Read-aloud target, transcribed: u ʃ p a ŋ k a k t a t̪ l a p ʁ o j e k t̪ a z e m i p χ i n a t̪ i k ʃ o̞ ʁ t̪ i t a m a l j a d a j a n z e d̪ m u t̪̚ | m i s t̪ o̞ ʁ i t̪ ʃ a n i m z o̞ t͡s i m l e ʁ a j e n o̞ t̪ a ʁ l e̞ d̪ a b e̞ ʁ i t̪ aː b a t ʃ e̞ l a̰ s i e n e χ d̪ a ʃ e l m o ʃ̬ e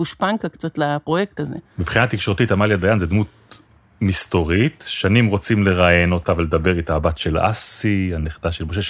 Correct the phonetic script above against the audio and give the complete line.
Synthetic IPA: u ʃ p a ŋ k a k t͡s a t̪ l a p ʁ o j e k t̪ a z e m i p χ i n a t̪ i k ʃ o̞ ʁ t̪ i t a m a l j a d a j a n z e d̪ m u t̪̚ | m i s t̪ o̞ ʁ i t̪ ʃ a n i m ʁ o̞ t͡s i m l e ʁ a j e n o̞ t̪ a v l e̞ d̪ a b e̞ ʁ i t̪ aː b a t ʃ e̞ l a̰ s i a n e χ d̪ a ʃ e l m o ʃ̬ e